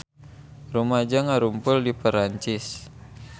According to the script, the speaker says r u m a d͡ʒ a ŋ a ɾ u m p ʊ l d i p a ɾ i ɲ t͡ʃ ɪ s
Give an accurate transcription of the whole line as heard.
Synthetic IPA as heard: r u m a d͡ʒ a ŋ a ɾ u m p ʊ l d i p ə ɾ a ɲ t͡ʃ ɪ s